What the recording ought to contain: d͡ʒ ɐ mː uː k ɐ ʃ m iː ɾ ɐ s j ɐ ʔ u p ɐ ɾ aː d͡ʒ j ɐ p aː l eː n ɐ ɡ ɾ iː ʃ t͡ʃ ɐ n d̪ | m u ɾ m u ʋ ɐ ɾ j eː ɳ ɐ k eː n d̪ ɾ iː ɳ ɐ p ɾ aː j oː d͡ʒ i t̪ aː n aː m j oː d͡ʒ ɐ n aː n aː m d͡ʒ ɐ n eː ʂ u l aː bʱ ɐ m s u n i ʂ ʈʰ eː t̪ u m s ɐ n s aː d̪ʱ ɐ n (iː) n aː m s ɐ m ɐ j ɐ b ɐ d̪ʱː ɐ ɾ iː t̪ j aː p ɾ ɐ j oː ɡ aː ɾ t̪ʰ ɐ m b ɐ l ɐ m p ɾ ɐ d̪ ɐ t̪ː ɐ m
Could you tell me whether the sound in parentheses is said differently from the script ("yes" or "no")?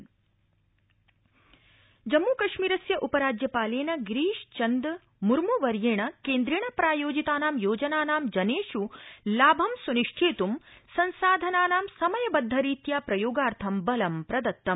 yes